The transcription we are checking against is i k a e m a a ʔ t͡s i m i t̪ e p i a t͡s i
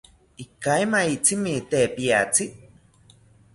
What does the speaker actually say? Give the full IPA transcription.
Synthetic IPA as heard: i k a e m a i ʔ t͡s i m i t̪ e p i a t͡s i